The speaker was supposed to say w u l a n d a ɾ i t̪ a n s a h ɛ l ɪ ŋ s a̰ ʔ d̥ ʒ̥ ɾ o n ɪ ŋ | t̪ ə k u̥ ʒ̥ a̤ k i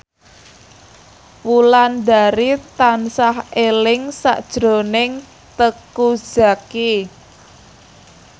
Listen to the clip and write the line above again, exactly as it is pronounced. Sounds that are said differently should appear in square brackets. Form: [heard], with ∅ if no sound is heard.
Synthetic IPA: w u l a n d a ɾ i t̪ a n s a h [e] l ɪ ŋ s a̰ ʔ d̥ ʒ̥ ɾ o n ɪ ŋ | t̪ ə k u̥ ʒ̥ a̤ k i